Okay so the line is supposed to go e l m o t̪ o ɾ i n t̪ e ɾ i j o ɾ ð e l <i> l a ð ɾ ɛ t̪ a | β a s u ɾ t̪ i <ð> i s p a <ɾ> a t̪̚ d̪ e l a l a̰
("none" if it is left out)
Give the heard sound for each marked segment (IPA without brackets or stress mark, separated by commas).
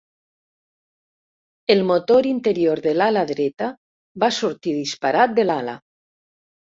a, ð, ɾ